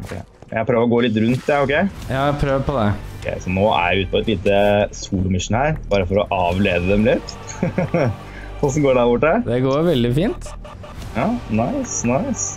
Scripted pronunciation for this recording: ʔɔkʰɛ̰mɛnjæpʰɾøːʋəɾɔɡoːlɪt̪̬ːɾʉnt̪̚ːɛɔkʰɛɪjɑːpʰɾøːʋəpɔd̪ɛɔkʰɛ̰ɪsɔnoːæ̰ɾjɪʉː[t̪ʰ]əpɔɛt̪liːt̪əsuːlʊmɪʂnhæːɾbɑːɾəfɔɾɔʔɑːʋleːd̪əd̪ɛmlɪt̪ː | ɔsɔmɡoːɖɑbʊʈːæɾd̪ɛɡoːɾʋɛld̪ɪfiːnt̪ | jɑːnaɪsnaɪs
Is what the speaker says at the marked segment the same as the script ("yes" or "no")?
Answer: no